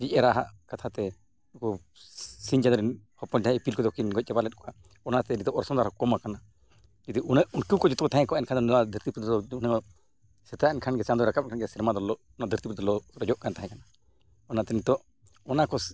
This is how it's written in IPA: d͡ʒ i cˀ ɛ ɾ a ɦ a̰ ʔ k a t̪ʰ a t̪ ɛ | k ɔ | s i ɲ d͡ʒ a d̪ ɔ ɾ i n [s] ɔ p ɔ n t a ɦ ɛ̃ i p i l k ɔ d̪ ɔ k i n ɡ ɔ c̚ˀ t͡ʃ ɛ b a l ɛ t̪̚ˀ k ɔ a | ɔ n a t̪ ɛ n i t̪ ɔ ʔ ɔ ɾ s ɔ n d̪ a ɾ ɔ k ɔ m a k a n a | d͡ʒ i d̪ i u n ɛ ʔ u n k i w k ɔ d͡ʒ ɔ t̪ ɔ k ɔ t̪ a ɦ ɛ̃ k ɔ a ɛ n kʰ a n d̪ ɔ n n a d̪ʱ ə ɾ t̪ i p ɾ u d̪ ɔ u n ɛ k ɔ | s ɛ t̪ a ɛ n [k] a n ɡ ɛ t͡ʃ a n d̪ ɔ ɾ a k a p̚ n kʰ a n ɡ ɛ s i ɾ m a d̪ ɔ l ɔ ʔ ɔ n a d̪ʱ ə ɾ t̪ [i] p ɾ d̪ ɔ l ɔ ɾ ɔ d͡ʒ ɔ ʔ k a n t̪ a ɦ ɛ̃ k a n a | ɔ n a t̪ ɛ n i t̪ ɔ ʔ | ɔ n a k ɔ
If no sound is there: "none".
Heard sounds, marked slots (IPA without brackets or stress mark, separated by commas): h, kʰ, i